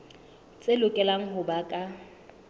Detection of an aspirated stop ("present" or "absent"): absent